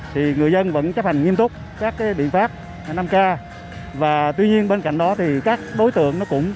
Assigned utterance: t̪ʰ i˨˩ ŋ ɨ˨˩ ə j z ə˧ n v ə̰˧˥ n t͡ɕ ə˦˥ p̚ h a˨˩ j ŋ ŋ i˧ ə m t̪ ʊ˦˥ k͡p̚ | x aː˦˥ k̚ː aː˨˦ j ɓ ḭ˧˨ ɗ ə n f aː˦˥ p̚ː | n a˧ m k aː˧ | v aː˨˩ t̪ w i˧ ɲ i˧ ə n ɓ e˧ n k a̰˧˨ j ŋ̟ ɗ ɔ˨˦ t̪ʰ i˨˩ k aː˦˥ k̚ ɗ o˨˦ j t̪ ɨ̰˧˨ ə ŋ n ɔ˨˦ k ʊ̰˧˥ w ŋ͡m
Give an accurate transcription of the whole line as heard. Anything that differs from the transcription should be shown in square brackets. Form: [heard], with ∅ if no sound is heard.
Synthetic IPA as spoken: t̪ʰ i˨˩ ŋ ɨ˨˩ ə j z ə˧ n v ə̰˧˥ n t͡ɕ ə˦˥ p̚ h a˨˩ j ŋ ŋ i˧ ə m t̪ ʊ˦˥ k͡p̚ | [k] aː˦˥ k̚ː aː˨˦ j ɓ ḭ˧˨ [∅] ə n f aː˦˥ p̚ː | n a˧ m k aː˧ | v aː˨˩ t̪ w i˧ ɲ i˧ ə n ɓ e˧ n k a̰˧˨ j ŋ̟ ɗ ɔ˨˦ t̪ʰ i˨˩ k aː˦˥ k̚ ɗ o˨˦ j t̪ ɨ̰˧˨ ə ŋ n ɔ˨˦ k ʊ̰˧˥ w ŋ͡m